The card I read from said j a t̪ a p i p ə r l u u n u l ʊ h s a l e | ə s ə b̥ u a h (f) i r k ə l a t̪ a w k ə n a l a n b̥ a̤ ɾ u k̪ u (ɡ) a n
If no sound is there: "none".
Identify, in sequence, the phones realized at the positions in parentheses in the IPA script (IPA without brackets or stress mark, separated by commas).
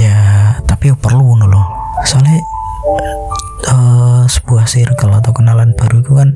s, k